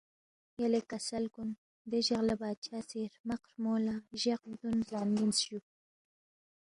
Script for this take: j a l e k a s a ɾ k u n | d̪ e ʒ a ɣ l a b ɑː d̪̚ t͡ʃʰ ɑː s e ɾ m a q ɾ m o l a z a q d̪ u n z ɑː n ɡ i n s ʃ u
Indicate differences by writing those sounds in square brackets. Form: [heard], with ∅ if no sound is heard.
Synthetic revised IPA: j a l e k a s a [l] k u n | d̪ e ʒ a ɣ l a b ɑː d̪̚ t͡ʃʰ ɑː s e ɾ m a q ɾ m o l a [ʒ] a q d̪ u n z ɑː n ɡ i n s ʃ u